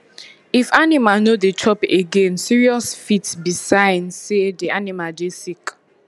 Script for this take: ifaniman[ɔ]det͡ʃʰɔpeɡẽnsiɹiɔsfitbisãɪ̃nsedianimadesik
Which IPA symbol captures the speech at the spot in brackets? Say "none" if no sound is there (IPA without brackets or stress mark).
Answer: o